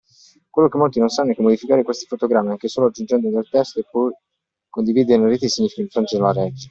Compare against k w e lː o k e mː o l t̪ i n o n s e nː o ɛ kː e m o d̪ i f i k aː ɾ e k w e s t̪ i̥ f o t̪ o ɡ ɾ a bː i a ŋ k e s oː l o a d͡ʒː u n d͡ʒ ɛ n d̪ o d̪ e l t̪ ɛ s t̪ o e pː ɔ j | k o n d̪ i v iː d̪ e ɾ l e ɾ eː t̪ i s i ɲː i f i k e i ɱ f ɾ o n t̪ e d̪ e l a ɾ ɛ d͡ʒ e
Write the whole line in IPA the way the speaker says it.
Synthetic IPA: k w e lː o k e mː o l t̪ i n o n s a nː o ɛ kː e m o d̪ i f i k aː ɾ e k w e s t̪ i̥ f o t̪ o ɡ ɾ a mː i a ŋ k e s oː l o a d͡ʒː u n d͡ʒ ɛ n d̪ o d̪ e l t̪ ɛ s t̪ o e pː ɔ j | k o n d̪ i v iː d̪ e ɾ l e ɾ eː t̪ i s i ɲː i f i k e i ɱ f ɾ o n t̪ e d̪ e l a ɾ ɛ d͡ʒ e